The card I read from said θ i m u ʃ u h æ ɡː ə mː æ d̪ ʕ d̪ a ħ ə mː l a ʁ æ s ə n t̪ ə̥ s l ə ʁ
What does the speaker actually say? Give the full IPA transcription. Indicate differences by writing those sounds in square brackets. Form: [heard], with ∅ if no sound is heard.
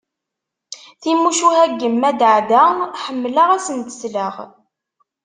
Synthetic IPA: θ i m u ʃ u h æ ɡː ə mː æ d̪ ʕ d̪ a ħ ə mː l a ʁ æ s ə n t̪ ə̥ s l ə ʁ